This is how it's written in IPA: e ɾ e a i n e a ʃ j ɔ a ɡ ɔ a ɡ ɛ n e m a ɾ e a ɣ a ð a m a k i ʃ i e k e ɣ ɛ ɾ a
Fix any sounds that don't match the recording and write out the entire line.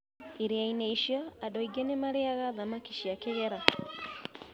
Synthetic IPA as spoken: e ɾ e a i n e i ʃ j ɔ a d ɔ i ɡ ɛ n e m a ɾ e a ɣ a ð a m a k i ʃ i a k e ɣ ɛ ɾ a